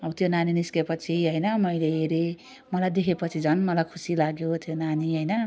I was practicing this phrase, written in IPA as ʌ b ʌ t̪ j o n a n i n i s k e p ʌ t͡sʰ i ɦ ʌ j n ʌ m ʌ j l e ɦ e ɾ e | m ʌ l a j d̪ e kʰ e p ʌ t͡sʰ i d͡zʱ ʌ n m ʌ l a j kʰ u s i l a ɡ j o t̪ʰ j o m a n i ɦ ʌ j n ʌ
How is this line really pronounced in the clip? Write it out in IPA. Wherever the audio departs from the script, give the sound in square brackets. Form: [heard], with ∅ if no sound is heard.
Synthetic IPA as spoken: ʌ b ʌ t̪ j o n a n i n i s k e p ʌ t͡sʰ i ɦ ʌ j n ʌ m ʌ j l e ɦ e ɾ e | m ʌ l a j d̪ e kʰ e p ʌ t͡sʰ i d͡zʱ ʌ n m ʌ l a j kʰ u s i l a ɡ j o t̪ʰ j o [n] a n i ɦ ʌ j n ʌ